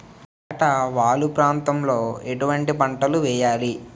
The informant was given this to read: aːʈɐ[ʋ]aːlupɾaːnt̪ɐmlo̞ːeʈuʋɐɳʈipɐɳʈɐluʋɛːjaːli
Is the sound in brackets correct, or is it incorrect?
correct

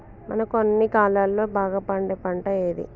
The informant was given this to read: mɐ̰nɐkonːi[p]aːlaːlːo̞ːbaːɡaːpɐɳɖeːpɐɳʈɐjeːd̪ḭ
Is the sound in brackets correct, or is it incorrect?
incorrect: k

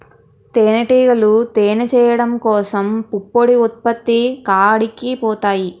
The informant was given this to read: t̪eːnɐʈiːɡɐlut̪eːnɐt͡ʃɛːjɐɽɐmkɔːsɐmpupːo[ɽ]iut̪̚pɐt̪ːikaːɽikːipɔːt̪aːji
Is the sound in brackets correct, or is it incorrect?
correct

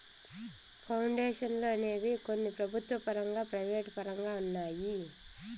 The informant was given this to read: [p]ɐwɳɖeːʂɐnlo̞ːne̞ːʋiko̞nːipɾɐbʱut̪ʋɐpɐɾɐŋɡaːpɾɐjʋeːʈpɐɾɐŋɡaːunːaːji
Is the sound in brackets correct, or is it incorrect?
incorrect: pʰ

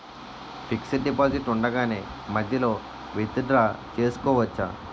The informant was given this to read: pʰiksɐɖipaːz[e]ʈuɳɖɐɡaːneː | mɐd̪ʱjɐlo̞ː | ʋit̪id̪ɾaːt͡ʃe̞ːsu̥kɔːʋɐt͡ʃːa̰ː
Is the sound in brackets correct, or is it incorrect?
incorrect: i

